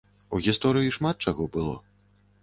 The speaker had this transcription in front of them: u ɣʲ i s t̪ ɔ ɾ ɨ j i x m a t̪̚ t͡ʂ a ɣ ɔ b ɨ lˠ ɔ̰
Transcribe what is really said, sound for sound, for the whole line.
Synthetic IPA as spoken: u ɣʲ i s t̪ ɔ ɾ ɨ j i ʂ m a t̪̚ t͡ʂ a ɣ ɔ b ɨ lˠ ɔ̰